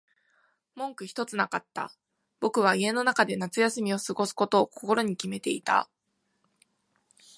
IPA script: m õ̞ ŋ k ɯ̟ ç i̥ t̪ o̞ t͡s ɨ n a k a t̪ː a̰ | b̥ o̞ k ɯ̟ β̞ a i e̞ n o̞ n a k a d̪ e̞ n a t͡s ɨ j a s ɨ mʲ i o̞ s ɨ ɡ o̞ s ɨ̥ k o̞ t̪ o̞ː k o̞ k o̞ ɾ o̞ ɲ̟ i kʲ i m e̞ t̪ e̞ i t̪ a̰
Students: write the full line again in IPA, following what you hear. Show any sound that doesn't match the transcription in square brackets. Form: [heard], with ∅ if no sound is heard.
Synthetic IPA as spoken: m õ̞ ŋ k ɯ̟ ç i̥ t̪ o̞ t͡s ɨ n a k a t̪ː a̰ | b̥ o̞ k ɯ̟ β̞ a i e̞ n o̞ n a k a d̪ e̞ n a t͡s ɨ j a s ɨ mʲ i o̞ s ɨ ɡ o̞ s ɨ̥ k o̞ t̪ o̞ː k o̞ k o̞ ɾ o̞ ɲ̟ i kʲ i m e̞ t̪ e̞ i t̪ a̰